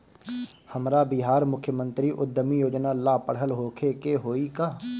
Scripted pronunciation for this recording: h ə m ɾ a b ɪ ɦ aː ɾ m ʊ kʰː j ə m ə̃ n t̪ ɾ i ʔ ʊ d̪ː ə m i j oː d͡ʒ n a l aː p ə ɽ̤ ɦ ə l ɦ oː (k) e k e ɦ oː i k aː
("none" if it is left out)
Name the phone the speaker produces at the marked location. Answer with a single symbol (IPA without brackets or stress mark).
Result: kʰ